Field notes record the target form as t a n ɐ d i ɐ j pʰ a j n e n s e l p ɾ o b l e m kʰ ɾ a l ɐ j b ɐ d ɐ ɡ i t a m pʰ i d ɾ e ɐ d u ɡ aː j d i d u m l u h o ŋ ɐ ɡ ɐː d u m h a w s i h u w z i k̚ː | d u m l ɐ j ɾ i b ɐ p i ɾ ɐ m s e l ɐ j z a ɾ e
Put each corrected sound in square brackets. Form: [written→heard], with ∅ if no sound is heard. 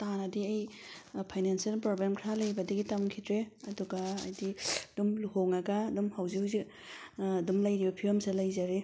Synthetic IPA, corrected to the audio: t a n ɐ d i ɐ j pʰ a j n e n s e l p ɾ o b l e m kʰ ɾ a l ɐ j b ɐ d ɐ ɡ i t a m [pʰ→kʰ] i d ɾ e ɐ d u ɡ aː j d i d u m l u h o ŋ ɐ ɡ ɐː d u m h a w [s→z] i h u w z i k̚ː | d u m l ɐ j ɾ i b ɐ [p→pʰ] i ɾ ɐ m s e l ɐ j z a ɾ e